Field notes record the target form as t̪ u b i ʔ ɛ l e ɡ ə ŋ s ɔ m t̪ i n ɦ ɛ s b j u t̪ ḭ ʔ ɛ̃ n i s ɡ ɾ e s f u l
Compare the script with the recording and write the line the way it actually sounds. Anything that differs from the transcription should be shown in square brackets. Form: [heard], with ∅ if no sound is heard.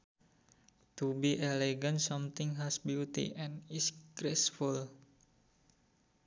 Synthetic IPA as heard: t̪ u b i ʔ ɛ l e ɡ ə [n] s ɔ m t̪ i [ŋ] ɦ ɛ s b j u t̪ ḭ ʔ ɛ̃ n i s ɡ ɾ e s f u l